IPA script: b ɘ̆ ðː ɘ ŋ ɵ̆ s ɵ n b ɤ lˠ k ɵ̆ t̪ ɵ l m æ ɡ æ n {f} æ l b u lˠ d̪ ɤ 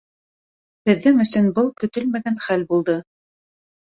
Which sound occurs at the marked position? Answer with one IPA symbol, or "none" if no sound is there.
χ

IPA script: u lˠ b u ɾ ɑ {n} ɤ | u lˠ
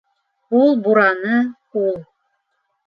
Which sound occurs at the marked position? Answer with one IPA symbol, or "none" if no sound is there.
n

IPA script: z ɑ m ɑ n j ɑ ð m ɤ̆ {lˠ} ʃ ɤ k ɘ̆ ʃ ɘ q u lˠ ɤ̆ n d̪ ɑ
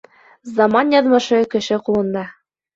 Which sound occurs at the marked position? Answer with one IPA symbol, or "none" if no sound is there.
none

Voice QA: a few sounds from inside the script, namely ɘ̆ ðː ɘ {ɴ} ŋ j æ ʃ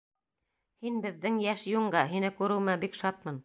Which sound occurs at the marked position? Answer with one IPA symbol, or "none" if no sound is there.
none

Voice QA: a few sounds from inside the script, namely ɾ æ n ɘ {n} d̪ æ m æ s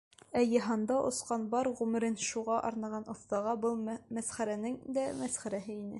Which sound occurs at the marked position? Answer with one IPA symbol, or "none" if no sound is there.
ŋ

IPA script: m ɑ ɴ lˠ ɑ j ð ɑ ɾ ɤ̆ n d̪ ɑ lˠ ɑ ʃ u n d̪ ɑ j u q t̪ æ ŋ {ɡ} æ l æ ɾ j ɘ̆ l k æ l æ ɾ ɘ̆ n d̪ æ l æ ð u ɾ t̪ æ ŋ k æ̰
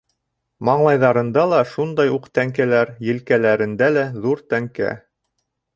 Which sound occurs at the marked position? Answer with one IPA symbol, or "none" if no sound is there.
k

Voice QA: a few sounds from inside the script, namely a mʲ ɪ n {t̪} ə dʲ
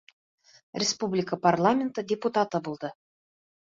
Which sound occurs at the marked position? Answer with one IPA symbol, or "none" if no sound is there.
t̪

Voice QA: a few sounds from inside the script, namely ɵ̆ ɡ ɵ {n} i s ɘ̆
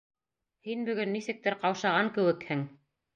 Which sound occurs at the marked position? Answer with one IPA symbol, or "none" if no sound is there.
nː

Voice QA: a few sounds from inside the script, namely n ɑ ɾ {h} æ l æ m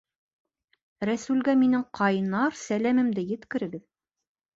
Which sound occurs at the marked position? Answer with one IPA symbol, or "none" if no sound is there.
s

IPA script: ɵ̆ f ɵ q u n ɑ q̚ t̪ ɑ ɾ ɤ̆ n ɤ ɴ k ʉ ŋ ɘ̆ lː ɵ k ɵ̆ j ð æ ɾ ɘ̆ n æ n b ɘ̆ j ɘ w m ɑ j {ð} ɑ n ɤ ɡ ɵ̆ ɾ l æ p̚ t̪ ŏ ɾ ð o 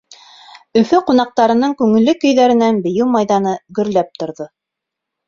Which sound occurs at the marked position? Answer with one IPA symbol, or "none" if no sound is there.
ð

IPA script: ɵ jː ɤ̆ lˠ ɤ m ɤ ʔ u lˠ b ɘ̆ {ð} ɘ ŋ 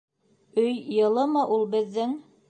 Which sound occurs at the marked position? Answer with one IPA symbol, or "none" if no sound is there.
ðː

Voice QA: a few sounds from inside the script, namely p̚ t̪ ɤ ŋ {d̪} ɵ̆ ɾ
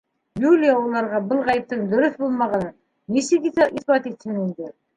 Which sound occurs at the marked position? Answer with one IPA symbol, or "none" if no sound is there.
d̪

